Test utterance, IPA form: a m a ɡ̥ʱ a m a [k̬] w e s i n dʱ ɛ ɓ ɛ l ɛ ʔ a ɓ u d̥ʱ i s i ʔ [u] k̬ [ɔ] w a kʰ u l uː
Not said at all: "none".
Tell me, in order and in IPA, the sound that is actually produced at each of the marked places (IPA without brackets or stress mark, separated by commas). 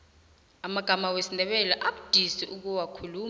none, u, u